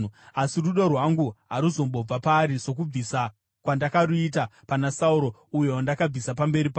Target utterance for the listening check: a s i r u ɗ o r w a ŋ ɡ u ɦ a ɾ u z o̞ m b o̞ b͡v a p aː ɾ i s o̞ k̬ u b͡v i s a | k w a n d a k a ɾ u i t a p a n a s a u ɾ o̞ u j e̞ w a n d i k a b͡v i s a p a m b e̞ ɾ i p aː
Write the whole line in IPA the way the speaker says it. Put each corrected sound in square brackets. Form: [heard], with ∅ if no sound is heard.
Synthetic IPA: a s i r u ɗ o r w a ŋ ɡ u ɦ a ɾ u z o̞ m b o̞ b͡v a p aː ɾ i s o̞ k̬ u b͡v i s a | k w a n d a k a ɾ u i t a p a n a s a u ɾ o̞ u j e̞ w a n d [a] k a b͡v i s a p a m b e̞ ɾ i p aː

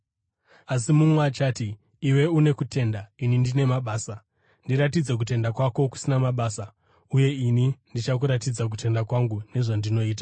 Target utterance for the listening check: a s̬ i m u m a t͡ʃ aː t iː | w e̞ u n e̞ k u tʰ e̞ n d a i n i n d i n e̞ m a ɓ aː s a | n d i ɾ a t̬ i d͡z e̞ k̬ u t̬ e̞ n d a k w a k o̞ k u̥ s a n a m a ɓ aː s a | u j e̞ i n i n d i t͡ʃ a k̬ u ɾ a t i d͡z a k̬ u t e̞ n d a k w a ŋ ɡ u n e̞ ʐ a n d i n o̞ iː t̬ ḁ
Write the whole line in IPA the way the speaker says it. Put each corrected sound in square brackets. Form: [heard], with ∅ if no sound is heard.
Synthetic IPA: a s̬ i m u m a t͡ʃ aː t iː | w e̞ u n e̞ k u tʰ e̞ n d a i n i n d i n e̞ m a ɓ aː s a | n d i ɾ a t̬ i d͡z e̞ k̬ u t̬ e̞ n d a k w a k o̞ k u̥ s [i] n a m a ɓ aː s a | u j e̞ i n i n d i t͡ʃ a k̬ u ɾ a t i d͡z a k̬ u t e̞ n d a k w a ŋ ɡ u n e̞ ʐ a n d i n o̞ iː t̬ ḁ

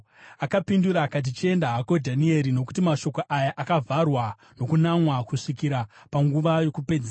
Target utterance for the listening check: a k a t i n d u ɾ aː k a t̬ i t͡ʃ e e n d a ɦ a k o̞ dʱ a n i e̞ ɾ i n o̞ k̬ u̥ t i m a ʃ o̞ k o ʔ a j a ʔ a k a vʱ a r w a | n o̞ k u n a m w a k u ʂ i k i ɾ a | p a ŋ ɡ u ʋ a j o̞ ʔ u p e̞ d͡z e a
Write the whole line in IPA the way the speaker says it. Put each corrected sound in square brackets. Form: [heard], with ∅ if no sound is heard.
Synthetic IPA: a k a [p] i n d u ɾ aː k a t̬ i t͡ʃ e e n d a ɦ a k o̞ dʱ a n i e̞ ɾ i n o̞ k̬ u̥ t i m a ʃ o̞ k o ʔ a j a ʔ a k a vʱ a r w a | n o̞ k u n a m w a k u ʂ i k i ɾ a | p a ŋ ɡ u ʋ a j o̞ [k] u p e̞ d͡z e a

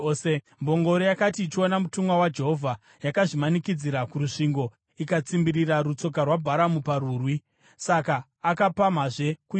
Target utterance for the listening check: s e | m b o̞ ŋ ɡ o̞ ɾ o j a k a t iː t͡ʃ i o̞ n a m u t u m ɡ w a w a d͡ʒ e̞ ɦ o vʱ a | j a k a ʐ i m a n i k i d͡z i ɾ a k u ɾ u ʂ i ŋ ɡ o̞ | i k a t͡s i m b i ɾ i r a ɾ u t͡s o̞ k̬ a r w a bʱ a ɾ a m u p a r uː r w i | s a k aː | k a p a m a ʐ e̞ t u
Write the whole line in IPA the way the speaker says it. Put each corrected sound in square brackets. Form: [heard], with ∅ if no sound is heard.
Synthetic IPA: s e | m b o̞ ŋ ɡ o̞ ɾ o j a k a t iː t͡ʃ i o̞ n a m u t u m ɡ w a w a d͡ʒ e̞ ɦ o vʱ a | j a k a ʐ i m a n i k i d͡z i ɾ a k u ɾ u ʂ i ŋ ɡ o̞ | i k a t͡s i m b i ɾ i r a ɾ u t͡s o̞ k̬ a r w a bʱ a ɾ a m u p a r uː r w i | s a k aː | k a p a m a ʐ e̞ [k] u

